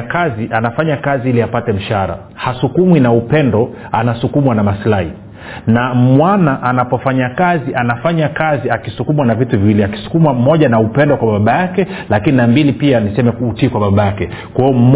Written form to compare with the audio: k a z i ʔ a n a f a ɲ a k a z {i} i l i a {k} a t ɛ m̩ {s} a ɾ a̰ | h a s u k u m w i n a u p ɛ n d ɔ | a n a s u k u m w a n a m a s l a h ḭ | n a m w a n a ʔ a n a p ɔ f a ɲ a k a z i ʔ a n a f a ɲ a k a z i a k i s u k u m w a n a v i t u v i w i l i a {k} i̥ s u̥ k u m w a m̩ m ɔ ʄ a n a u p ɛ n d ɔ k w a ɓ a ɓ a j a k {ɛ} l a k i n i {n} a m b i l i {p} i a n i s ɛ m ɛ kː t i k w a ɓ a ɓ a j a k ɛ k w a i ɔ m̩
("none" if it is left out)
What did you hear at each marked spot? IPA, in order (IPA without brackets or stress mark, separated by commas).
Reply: i, p, ʃ, k, ɛ, n, p